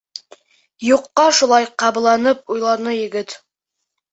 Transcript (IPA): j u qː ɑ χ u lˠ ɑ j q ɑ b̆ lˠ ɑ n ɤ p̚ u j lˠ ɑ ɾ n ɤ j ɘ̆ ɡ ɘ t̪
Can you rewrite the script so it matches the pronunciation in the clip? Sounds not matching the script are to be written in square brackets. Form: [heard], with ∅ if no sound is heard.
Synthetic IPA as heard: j u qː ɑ [ʃ] u lˠ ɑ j q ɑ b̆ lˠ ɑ n ɤ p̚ u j lˠ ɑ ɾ n ɤ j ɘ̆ ɡ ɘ t̪